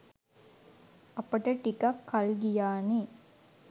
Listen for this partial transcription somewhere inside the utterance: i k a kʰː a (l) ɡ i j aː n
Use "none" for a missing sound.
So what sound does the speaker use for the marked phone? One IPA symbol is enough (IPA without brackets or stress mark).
l